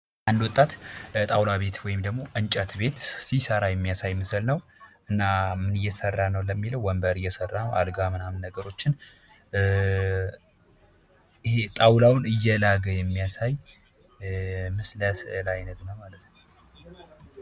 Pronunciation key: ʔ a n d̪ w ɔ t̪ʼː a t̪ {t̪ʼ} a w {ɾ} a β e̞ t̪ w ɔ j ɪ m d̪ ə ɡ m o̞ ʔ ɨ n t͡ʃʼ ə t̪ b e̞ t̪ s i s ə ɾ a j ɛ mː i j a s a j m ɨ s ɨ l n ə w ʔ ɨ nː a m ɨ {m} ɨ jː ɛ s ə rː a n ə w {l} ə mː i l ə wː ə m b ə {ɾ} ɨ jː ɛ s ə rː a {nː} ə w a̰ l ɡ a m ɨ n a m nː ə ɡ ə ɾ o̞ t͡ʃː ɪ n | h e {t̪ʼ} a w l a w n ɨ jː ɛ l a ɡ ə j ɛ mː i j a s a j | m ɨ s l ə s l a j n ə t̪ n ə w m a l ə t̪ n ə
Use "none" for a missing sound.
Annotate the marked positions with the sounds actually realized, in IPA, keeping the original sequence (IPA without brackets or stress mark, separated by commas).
t̪ʼ, l, n, l, ɾ, n, t̪ʼ